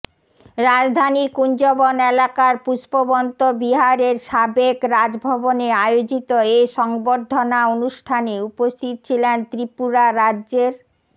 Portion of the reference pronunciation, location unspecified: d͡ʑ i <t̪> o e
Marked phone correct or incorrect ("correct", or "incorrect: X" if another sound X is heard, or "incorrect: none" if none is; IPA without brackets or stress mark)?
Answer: correct